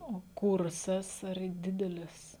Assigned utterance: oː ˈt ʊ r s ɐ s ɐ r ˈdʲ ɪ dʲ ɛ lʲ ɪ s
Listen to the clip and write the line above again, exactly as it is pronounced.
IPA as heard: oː ˈk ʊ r s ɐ s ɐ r ˈdʲ ɪ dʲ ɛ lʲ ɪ s